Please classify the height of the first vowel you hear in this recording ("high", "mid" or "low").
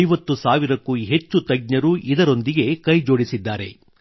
low